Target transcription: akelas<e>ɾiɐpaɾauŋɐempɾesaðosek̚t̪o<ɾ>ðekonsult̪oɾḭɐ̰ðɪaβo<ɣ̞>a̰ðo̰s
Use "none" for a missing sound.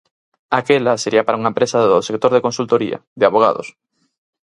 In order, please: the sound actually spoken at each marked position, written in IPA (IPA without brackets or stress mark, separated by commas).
e, ɾ, ɣ̞